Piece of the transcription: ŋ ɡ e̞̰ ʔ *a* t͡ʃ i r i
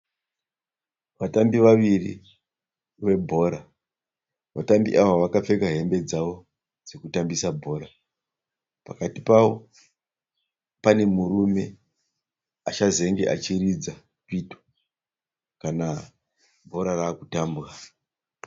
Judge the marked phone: correct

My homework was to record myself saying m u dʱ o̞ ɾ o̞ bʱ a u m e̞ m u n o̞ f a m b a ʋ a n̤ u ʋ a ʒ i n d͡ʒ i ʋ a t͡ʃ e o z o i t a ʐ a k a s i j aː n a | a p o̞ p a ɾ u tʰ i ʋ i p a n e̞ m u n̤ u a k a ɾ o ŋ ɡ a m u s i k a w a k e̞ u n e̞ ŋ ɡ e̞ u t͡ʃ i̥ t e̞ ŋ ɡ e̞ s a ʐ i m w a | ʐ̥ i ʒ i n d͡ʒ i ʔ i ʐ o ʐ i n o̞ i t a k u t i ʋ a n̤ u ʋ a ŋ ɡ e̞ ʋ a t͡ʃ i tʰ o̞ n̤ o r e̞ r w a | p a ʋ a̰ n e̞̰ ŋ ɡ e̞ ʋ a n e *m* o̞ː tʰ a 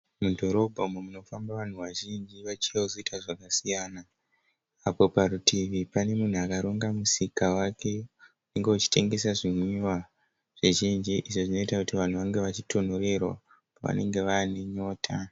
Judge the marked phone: incorrect: ɲ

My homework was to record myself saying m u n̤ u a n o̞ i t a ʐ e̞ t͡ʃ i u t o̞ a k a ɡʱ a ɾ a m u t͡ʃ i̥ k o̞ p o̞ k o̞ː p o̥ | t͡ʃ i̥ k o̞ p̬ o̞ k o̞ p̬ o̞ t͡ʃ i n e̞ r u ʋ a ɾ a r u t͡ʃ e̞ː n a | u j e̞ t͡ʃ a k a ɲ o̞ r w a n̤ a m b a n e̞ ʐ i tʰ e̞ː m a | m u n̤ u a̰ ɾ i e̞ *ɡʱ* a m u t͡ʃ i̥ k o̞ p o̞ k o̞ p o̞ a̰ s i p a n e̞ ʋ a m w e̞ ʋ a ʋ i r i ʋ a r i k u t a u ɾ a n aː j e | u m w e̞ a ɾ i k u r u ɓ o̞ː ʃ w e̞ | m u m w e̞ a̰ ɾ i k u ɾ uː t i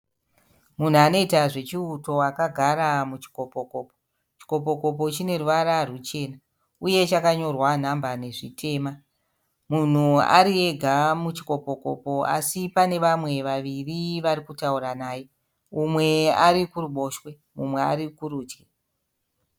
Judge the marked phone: correct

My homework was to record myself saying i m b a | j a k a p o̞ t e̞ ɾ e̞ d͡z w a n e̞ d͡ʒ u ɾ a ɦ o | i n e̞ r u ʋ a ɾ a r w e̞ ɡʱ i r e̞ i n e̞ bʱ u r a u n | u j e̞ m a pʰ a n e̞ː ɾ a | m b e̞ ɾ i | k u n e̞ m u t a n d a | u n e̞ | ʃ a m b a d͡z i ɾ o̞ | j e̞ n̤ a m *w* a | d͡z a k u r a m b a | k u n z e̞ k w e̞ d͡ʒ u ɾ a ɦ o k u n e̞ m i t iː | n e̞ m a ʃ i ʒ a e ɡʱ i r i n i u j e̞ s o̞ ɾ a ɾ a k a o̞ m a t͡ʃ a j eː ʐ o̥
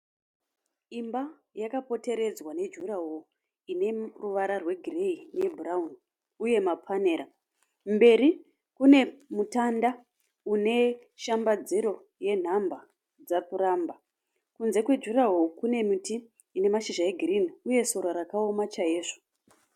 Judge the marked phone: incorrect: b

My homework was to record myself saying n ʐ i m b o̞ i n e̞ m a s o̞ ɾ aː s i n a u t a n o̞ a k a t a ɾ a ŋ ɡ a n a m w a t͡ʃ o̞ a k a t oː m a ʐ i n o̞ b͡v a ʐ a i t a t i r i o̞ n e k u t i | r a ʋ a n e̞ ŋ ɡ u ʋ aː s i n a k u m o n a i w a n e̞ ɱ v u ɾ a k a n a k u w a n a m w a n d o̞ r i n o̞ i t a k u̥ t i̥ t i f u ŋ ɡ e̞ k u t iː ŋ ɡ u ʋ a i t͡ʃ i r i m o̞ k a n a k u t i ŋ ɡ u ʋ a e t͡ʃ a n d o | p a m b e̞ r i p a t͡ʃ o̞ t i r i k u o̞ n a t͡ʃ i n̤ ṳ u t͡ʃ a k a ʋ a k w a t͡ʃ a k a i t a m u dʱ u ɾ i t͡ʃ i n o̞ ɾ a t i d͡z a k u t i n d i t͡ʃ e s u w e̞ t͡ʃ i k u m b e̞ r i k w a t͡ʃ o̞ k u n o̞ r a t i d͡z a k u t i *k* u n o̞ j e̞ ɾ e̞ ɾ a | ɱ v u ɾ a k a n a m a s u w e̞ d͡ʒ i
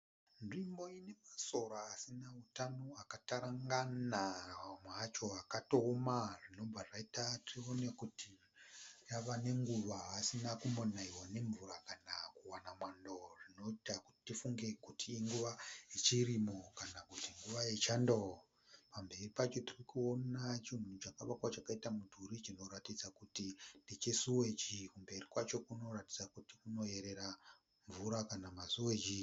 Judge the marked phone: correct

